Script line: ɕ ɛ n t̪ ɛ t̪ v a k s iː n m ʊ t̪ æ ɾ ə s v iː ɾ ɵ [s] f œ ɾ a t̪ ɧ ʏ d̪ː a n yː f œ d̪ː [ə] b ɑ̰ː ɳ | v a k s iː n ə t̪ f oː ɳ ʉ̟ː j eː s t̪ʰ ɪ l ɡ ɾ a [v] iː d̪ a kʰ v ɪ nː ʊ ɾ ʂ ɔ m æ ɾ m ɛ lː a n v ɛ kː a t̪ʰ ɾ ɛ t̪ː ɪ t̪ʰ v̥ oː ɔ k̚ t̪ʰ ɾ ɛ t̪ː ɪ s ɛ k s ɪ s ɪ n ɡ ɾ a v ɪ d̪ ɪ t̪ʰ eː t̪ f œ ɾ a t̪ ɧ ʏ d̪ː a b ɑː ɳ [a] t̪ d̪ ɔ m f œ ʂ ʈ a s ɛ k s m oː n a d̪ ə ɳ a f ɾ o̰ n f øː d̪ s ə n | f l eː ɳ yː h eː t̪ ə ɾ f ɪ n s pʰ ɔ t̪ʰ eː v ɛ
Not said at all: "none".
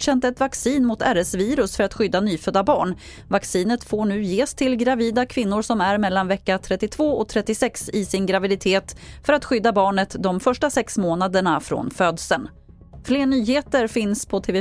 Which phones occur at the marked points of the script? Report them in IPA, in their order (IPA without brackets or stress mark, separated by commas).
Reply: s, a, v, ə